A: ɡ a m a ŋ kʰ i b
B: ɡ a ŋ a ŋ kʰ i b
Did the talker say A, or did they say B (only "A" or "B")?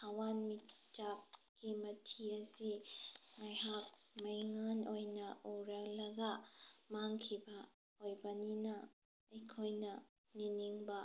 A